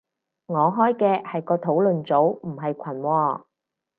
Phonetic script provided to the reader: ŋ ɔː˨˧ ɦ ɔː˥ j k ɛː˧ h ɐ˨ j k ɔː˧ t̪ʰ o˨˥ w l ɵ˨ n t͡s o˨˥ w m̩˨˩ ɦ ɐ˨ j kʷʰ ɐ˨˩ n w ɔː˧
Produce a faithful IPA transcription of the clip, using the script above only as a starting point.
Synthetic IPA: ŋ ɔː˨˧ ɦ ɔː˥ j k ɛː˧ h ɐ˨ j k ɔː˧ t̪ʰ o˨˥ w l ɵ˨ n t͡s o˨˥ w m̩˨˩ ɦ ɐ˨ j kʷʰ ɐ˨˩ n w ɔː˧